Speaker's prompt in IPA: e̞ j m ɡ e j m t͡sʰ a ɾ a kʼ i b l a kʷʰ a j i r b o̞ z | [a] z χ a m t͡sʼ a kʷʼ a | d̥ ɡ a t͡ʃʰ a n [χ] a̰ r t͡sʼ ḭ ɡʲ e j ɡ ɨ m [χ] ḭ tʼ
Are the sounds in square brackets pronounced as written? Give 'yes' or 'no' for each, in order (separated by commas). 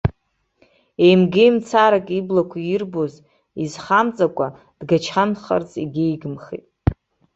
no, yes, yes